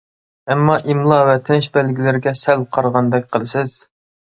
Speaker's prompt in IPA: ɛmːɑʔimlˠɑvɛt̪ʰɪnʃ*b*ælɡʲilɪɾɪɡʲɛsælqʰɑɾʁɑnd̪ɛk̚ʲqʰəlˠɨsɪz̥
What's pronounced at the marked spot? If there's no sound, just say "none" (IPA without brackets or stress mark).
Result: b